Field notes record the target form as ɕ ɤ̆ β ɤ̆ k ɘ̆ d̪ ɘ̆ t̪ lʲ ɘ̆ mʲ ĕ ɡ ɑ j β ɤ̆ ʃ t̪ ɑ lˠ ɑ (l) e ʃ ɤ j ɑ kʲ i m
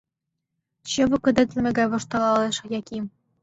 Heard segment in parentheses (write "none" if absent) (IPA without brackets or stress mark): l